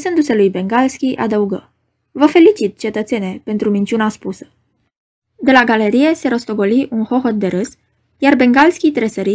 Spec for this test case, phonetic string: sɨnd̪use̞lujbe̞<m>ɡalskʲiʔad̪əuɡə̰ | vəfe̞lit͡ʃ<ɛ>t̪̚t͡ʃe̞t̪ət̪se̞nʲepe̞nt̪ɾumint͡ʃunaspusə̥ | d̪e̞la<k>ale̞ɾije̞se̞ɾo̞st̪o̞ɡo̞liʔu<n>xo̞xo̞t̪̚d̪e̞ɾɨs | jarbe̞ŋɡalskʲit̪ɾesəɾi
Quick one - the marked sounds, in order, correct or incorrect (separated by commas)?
incorrect, incorrect, incorrect, correct